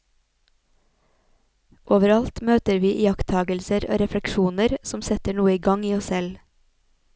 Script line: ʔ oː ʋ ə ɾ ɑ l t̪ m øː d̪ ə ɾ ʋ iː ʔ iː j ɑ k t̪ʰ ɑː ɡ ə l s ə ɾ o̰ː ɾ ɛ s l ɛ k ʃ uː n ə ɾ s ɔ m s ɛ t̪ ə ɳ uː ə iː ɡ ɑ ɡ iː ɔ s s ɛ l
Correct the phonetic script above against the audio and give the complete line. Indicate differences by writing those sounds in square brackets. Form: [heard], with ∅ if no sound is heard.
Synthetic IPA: ʔ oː ʋ ə ɾ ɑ l t̪ m øː [t̪] ə ɾ ʋ iː ʔ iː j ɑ k t̪ʰ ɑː ɡ ə l s ə ɾ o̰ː ɾ ɛ [f] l ɛ k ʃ uː n ə ɾ s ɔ m s ɛ t̪ ə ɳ uː ə iː ɡ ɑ [ŋ] iː ɔ s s ɛ l